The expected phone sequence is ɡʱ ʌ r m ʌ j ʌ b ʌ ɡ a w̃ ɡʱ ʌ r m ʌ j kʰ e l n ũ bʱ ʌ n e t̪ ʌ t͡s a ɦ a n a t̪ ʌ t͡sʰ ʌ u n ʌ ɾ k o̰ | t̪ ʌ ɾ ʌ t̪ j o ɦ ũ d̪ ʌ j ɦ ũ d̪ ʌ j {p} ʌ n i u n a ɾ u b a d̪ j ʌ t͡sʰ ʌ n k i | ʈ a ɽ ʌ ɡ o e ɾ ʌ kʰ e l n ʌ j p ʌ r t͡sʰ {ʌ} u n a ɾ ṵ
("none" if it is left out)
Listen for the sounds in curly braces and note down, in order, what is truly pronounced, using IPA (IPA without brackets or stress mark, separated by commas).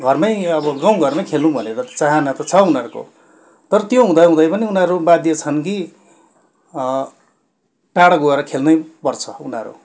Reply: p, ʌ